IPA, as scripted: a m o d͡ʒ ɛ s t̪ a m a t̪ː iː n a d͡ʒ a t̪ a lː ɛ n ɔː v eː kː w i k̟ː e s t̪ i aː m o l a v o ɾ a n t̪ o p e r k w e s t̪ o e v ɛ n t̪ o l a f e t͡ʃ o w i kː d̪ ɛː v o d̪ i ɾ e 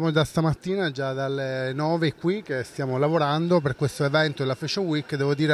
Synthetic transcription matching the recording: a m o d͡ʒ a s t̪ a m a t̪ː iː n a d͡ʒ a d̪ a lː e n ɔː v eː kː w i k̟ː e s t̪ j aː m o l a v o ɾ a n d̪ o p e r k w e s t̪ o e v ɛ n t̪ o l a f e t͡ʃ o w i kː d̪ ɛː v o d̪ iː ɾ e